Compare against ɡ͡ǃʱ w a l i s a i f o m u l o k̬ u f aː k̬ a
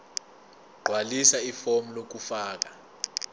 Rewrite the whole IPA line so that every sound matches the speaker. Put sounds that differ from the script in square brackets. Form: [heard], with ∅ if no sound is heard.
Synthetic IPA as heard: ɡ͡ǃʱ w a l i s a i f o m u l o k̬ u f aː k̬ a

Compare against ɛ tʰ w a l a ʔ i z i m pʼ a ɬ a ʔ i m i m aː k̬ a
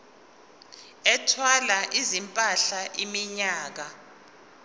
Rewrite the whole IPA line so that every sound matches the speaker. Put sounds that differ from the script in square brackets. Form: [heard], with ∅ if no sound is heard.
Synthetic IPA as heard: ɛ tʰ w a l a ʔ i z i m pʼ a ɬ a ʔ i m i [ɲ] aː k̬ a

